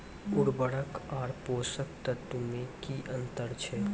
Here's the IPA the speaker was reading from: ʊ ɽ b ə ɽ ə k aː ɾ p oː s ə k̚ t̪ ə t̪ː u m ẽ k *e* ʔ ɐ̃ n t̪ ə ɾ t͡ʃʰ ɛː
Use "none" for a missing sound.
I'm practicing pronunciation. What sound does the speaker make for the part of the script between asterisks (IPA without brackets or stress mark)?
i